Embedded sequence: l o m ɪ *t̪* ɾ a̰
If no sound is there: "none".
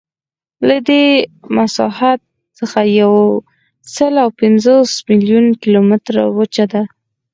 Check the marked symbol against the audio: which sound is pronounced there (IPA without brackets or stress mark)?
t̪